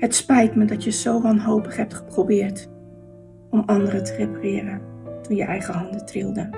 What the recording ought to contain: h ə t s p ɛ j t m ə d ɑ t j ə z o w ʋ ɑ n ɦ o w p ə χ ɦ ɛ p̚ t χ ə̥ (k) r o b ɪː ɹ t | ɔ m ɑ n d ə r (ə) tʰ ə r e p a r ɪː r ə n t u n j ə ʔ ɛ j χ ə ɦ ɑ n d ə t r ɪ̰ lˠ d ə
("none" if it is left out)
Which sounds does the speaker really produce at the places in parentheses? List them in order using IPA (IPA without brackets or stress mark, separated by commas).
p, ə